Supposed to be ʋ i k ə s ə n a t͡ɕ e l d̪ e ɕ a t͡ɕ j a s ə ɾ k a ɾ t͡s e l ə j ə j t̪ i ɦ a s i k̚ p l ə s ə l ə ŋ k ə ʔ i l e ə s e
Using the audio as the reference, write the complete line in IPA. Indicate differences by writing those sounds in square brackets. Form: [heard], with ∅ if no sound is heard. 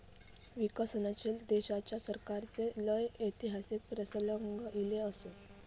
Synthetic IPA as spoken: ʋ i k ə s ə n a t͡ɕ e l d̪ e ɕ a t͡ɕ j a s ə ɾ k a ɾ t͡s e l ə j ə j t̪ i ɦ a s i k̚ p [ɾ] ə s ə l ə ŋ [ɡ] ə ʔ i l e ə s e